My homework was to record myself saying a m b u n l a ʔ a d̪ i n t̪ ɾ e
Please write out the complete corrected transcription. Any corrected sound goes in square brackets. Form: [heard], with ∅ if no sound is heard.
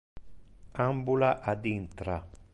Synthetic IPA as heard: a m b u [∅] l a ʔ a d̪ i n t̪ ɾ [a]